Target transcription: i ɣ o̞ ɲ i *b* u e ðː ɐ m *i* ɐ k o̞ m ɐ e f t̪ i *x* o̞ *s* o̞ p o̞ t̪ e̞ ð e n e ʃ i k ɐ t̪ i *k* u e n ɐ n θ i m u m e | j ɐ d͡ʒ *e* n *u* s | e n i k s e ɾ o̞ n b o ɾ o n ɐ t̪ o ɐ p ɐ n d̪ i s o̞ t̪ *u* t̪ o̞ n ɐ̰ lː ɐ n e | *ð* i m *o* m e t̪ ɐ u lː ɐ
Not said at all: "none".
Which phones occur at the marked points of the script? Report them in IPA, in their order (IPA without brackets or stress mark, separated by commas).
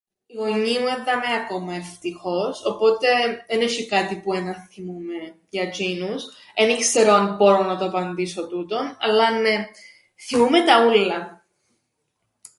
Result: m, e, x, s, p, i, u, u, θ, u